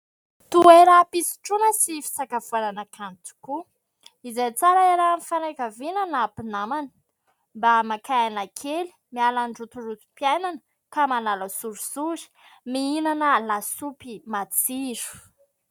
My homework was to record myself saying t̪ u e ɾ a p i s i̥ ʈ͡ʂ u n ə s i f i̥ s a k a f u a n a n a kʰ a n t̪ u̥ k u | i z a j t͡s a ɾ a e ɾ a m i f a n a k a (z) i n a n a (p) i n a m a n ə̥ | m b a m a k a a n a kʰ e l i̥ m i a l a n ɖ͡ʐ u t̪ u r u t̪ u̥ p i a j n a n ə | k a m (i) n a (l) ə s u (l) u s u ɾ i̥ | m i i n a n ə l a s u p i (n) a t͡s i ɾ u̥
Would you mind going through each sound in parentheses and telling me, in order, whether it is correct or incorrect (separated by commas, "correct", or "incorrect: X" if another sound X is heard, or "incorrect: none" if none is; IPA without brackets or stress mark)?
incorrect: v, correct, incorrect: a, correct, incorrect: ɾ, incorrect: m